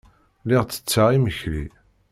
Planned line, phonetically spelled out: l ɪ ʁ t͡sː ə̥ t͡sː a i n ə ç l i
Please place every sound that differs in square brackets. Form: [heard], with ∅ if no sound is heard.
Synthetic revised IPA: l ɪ ʁ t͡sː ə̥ t͡sː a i [m] ə ç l i